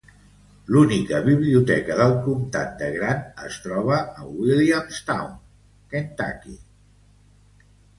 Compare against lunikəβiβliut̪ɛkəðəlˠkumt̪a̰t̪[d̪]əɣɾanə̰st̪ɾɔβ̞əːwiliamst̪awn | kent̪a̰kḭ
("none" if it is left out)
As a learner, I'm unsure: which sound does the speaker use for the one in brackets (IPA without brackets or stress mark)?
d̪